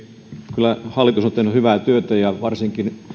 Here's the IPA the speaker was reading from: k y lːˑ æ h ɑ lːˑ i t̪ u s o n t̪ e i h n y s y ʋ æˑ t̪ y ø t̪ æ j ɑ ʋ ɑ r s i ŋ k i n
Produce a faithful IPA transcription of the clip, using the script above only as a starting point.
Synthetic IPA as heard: k y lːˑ æ h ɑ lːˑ i t̪ u s o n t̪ e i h n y h y ʋ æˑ t̪ y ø t̪ æ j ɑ ʋ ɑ r s i ŋ k i n